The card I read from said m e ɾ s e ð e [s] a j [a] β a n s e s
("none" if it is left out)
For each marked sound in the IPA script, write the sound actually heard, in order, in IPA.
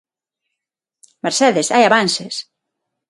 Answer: s, a

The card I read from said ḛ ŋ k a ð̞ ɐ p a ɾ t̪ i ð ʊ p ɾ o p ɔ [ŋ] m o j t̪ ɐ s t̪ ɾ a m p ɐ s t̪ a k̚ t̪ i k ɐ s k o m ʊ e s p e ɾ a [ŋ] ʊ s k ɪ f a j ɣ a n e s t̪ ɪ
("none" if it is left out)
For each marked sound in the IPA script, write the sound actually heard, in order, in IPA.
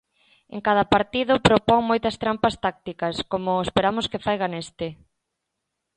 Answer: ŋ, m

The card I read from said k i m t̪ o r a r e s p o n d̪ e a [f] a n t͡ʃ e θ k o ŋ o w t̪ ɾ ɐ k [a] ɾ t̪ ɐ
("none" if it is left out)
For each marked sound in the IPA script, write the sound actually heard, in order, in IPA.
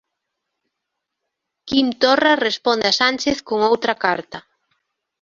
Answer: s, a

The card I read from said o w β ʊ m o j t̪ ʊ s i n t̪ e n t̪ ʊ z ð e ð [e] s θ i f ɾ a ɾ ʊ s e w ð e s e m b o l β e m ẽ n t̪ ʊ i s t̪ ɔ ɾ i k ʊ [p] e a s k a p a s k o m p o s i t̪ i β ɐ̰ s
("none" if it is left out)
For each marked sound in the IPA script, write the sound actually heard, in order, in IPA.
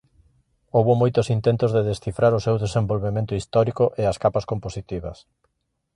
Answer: e, ʔ

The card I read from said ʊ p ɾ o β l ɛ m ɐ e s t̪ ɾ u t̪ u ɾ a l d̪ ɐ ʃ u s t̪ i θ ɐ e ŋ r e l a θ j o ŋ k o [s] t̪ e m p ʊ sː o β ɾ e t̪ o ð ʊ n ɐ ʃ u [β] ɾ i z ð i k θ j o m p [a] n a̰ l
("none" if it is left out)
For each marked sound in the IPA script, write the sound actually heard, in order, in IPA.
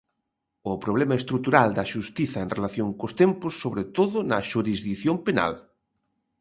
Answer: s, none, e

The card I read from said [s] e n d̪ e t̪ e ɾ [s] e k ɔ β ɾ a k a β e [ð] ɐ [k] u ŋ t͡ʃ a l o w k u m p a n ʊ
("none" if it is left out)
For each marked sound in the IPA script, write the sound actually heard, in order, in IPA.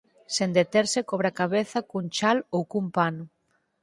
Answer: s, s, θ, k

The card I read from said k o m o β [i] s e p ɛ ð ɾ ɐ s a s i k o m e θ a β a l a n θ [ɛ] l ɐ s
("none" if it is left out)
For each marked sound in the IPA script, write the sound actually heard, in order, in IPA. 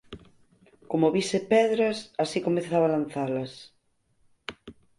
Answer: i, a

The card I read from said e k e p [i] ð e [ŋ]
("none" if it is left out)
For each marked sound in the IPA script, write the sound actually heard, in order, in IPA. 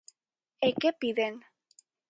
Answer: i, n

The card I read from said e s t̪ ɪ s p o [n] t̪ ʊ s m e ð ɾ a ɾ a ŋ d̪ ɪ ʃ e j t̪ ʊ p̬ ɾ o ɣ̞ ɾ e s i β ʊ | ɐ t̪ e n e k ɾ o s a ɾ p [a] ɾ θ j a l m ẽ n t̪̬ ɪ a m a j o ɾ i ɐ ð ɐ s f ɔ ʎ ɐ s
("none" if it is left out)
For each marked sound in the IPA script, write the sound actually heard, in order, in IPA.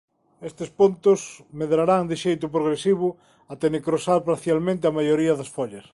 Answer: n, a

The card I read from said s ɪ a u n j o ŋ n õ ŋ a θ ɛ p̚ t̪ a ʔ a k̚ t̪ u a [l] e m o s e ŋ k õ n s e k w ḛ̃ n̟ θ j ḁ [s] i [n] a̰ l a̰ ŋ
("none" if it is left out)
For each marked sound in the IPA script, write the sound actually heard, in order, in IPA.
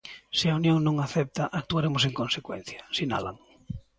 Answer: ɾ, s, n

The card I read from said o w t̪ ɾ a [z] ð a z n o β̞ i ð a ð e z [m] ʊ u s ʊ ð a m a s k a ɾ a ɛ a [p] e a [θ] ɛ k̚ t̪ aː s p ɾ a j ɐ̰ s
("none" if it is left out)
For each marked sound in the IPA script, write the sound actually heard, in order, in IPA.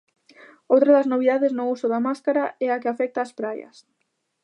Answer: none, n, k, f

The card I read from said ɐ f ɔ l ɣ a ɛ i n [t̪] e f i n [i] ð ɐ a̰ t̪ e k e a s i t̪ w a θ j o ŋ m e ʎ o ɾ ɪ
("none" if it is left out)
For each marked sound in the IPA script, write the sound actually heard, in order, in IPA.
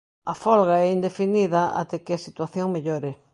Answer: d̪, i

